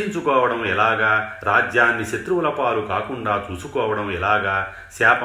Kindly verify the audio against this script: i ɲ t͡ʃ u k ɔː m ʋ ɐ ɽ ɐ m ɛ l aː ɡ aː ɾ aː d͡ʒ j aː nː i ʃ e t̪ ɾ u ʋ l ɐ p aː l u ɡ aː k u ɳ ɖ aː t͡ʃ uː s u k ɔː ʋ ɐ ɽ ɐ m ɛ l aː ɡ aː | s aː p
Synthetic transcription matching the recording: i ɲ t͡ʃ u k ɔː ʋ ɐ ɽ ɐ m ɛ l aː ɡ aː ɾ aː d͡ʒ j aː nː i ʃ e t̪ ɾ u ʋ l ɐ p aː l u k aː k u ɳ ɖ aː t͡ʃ uː s u k ɔː ʋ ɐ ɽ ɐ m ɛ l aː ɡ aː | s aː p